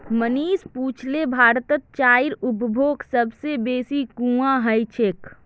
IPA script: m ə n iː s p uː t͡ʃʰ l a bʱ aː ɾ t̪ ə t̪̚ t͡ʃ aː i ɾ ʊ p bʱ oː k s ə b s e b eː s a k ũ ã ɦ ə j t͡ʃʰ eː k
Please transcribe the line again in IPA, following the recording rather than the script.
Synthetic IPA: m ə n iː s p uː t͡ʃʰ l e bʱ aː ɾ t̪ ə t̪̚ t͡ʃ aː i ɾ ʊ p bʱ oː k s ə b s e b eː s i k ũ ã ɦ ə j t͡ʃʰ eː k

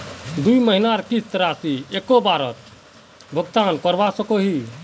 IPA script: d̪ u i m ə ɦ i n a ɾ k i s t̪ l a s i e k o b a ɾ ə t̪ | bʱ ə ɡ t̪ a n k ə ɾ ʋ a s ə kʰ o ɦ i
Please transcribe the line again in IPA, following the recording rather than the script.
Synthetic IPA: d̪ u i m ə ɦ i n a ɾ k i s t̪ ɾ a s i e k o b a ɾ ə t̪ | bʱ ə ɡ t̪ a n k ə ɾ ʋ a s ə k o ɦ i

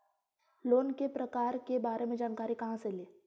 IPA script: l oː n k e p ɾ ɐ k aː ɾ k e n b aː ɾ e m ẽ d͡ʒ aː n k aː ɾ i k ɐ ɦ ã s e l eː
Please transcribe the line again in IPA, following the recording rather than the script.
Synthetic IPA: l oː n k e p ɾ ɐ k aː ɾ k e b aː ɾ e m ẽ d͡ʒ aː n k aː ɾ i k ɐ ɦ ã s e l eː

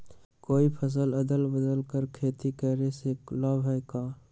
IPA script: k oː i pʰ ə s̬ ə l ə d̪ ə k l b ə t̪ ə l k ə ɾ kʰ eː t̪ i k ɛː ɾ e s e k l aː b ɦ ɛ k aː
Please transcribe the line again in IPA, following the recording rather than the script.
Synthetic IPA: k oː i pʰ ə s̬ ə l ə d̪ ə l b ə d̪ ə l k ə ɾ kʰ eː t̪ i k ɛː ɾ e s e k l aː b ɦ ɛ k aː

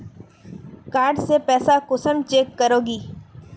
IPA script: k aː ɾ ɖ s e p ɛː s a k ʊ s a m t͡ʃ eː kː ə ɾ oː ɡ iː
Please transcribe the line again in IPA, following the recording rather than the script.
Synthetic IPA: k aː ɾ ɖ s e p ɛː s a k ʊ s ə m t͡ʃ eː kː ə ɾ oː ɡ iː

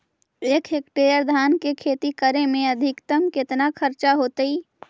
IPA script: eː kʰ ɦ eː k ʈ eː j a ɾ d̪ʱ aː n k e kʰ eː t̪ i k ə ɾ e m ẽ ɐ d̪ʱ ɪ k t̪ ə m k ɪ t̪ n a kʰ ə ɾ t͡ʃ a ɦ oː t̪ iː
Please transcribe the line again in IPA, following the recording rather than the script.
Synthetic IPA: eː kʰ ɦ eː k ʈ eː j ə ɾ d̪ʱ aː n k e kʰ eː t̪ i k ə ɾ e m ẽ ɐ d̪ʱ ɪ k t̪ ə m k ɪ t̪ n a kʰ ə ɾ t͡ʃ a ɦ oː t̪ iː

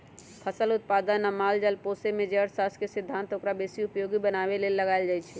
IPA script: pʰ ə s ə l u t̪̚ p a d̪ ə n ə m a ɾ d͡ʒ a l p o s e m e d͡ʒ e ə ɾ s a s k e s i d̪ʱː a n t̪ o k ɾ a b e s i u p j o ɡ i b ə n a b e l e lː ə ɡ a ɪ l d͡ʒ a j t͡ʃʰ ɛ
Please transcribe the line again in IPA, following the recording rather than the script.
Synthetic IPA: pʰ ə s ə l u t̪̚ p a d̪ ə n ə m a l d͡ʒ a l p o s e m e d͡ʒ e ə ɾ s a s k e s i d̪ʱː a n t̪ o k ɾ a b e s i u p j o ɡ i b ə n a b e l e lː ə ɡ a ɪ l d͡ʒ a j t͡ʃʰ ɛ

